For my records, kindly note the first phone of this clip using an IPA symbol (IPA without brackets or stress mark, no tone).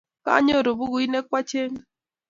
k